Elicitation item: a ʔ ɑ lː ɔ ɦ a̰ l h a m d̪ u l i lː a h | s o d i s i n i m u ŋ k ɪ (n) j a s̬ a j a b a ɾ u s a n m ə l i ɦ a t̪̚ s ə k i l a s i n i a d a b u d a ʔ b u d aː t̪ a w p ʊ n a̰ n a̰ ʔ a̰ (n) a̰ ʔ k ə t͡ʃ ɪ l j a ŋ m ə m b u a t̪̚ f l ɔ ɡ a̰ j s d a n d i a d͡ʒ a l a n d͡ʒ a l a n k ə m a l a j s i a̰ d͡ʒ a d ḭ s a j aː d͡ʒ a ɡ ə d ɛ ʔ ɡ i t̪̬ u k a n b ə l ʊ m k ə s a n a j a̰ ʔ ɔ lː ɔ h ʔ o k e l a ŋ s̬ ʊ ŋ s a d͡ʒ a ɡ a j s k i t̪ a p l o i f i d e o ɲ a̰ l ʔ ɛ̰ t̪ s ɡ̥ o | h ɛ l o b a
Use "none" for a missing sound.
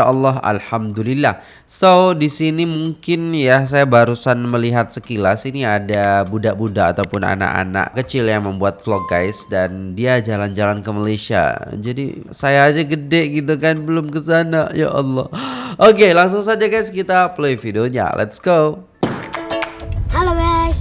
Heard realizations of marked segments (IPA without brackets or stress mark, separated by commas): n, n